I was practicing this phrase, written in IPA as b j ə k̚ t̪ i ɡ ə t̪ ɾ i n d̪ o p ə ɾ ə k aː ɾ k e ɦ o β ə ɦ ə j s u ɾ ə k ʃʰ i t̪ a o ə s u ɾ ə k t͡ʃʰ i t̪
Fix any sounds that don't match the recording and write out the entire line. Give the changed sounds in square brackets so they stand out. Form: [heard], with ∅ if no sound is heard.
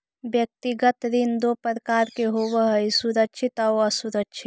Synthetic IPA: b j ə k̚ t̪ i ɡ ə t̪ ɾ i n d̪ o p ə ɾ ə k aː ɾ k e ɦ o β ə ɦ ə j s u ɾ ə k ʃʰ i t̪ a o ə s u ɾ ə k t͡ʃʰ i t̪

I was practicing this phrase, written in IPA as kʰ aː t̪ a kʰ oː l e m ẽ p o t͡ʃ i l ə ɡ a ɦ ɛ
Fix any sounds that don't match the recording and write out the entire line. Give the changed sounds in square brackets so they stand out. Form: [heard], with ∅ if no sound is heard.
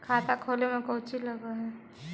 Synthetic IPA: kʰ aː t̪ a kʰ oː l e m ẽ [k] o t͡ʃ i l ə ɡ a ɦ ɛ

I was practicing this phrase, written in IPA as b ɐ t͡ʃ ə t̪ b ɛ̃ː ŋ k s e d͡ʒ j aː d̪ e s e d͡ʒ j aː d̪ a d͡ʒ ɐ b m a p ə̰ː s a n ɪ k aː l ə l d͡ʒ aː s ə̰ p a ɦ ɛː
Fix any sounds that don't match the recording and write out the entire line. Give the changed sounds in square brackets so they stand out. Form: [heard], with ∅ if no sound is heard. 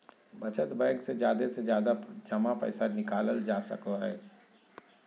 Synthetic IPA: b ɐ t͡ʃ ə t̪ b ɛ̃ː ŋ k s e d͡ʒ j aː d̪ e s e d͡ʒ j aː d̪ a d͡ʒ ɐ [∅] m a p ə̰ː s a n ɪ k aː l ə l d͡ʒ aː s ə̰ [k] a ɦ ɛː

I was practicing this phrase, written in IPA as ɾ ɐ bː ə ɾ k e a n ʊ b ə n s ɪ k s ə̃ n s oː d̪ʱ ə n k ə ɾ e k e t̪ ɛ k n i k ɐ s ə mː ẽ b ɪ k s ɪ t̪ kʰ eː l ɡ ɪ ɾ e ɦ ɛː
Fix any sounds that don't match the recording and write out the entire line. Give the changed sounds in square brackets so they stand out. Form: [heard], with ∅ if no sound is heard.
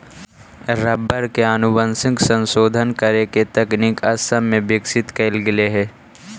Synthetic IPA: ɾ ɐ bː ə ɾ k e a n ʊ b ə n s ɪ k s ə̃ n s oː d̪ʱ ə n k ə ɾ e k e t̪ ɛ k n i k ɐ s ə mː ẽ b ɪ k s ɪ t̪ [k] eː l ɡ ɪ [l] e ɦ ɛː

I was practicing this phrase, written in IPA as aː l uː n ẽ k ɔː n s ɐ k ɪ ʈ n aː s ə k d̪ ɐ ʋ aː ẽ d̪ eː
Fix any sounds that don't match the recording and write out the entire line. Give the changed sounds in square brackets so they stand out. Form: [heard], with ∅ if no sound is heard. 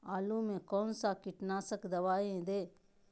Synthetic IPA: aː l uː [m] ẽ k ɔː n s [a] k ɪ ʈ n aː s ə k d̪ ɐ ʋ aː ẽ d̪ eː

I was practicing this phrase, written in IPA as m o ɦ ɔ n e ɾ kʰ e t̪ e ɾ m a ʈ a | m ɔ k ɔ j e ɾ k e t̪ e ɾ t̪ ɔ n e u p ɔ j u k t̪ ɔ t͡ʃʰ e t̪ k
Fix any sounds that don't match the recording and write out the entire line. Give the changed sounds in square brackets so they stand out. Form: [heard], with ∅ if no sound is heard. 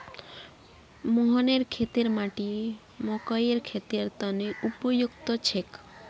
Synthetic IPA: m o ɦ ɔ n e ɾ kʰ e t̪ e ɾ m a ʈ [i] | m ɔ k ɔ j e ɾ [kʰ] e t̪ e ɾ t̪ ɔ n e u p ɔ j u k t̪ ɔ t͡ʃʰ e [∅] k

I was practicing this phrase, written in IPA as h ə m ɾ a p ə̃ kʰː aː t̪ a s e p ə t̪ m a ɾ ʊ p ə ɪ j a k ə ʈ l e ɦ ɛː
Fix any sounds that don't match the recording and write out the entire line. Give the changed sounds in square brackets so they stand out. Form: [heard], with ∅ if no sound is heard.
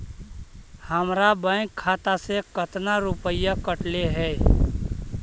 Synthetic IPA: h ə m ɾ a [b] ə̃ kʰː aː t̪ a s e [k] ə t̪ [n] a ɾ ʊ p ə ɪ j a k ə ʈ l e ɦ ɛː

